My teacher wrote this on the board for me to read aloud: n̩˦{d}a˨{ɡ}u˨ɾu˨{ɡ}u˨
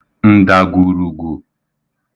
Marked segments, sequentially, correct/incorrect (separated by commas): correct, correct, correct